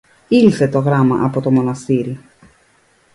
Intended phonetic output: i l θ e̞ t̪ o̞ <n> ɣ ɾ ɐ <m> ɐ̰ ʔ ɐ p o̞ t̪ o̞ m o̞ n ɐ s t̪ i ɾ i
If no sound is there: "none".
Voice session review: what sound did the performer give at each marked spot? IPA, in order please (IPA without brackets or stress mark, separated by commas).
none, m